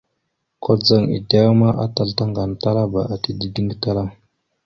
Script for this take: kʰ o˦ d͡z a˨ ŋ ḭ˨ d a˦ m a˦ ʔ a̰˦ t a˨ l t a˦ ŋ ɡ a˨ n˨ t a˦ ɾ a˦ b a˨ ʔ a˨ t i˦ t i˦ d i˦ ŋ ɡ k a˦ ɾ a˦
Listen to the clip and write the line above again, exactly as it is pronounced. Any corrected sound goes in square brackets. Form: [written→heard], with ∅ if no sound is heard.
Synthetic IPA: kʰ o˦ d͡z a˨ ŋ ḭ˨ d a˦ m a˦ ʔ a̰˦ t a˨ l t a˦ ŋ ɡ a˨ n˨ t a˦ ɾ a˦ b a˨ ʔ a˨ t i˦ [t→d] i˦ d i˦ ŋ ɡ [k→t] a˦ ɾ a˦